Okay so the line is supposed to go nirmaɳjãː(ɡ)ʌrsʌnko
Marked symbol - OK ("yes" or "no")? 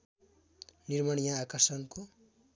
no